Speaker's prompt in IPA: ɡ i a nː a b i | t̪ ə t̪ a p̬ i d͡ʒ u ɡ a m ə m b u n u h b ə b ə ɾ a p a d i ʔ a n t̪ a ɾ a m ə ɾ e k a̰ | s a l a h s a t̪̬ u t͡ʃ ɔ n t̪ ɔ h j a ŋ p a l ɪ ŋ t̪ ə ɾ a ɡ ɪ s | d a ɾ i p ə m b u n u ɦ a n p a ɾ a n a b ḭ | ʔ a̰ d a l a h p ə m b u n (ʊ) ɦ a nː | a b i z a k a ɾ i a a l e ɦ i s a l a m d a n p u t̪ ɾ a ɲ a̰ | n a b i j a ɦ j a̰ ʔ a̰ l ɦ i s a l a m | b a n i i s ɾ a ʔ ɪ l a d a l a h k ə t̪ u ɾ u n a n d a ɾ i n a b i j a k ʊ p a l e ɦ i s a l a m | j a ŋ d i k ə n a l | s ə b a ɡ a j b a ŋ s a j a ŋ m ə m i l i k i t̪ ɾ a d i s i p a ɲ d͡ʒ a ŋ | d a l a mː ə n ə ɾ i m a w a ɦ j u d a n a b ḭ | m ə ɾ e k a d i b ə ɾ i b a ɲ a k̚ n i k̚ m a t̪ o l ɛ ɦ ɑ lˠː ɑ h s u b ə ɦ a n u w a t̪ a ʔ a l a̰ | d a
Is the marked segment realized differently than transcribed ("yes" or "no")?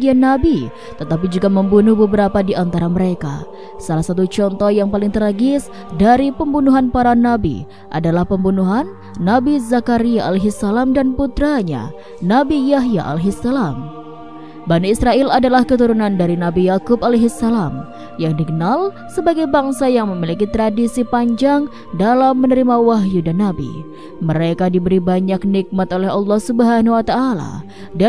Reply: yes